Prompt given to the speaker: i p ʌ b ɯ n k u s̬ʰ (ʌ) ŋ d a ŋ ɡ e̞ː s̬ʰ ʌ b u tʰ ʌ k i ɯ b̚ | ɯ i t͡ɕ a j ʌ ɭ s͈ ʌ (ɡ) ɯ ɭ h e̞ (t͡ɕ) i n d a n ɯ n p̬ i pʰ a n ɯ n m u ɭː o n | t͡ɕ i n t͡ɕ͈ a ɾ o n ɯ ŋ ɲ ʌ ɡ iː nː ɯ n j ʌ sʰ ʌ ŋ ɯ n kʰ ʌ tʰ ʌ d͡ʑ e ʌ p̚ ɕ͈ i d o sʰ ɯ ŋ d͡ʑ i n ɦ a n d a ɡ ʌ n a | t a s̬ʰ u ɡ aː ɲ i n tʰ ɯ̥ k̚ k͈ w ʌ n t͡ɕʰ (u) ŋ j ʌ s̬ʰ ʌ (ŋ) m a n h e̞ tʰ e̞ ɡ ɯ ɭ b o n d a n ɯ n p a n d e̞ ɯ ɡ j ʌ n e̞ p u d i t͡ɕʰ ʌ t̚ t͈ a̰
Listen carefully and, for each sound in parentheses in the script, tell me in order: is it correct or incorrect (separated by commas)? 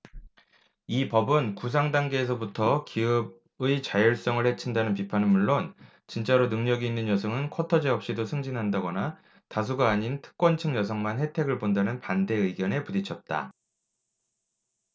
incorrect, incorrect, incorrect, incorrect, correct